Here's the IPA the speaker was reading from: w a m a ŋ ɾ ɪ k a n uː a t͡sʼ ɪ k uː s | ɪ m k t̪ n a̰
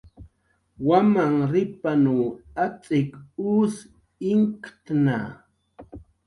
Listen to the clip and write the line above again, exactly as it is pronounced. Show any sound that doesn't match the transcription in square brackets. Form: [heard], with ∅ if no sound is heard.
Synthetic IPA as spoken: w a m a ŋ ɾ ɪ [p] a n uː a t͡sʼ ɪ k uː s | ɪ [ŋ] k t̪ n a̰